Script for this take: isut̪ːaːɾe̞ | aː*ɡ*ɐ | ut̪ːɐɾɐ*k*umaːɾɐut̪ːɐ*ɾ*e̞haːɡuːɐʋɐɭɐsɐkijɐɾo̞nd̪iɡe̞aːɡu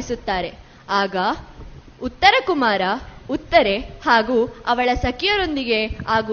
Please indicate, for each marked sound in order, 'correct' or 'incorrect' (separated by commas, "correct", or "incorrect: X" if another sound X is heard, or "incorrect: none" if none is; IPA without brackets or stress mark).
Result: correct, correct, correct